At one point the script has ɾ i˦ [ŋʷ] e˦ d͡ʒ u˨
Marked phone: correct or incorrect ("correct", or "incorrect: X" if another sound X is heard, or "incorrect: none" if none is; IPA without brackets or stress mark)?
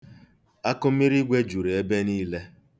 incorrect: ɡʷ